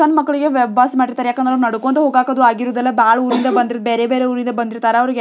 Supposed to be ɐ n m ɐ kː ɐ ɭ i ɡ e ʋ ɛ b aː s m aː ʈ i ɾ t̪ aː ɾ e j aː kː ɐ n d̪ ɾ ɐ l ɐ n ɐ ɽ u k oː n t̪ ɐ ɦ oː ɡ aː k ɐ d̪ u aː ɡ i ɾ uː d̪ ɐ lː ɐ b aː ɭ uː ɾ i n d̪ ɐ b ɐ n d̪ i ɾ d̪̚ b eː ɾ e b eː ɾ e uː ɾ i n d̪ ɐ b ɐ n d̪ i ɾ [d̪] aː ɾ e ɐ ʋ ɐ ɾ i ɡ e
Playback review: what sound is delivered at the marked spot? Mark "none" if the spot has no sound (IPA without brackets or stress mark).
t̪